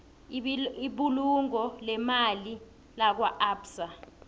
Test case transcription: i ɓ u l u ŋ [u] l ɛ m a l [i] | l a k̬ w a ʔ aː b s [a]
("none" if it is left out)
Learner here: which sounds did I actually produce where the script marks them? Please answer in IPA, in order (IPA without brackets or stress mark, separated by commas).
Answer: ɔ, i, a